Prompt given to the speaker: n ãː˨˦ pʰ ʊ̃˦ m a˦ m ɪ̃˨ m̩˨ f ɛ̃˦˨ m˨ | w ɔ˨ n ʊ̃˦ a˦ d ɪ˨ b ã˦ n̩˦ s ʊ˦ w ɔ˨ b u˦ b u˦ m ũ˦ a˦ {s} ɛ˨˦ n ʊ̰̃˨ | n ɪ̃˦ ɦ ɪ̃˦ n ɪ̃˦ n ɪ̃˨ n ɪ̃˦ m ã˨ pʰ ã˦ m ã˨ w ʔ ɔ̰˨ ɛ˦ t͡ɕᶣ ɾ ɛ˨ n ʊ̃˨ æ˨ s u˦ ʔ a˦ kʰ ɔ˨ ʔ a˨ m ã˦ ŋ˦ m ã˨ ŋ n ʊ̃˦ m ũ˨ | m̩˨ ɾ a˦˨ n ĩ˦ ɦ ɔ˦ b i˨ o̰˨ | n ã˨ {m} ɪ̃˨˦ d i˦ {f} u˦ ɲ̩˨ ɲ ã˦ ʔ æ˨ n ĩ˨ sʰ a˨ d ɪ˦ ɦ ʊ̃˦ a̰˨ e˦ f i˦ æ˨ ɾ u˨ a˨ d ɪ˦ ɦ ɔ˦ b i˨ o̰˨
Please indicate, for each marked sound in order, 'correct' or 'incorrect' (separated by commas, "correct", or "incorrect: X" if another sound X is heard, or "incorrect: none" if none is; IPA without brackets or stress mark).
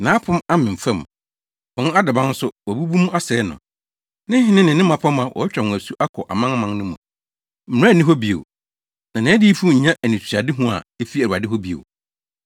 correct, incorrect: n, correct